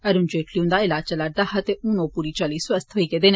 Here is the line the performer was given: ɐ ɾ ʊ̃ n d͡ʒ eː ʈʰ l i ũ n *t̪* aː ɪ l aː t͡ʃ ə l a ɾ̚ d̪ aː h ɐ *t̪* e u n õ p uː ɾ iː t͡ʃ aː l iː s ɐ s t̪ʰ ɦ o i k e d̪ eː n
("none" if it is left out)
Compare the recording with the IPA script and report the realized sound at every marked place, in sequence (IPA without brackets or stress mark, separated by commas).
d̪, t̪